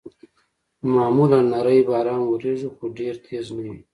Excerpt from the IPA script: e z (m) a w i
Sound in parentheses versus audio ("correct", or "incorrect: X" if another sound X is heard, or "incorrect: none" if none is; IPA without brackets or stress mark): incorrect: n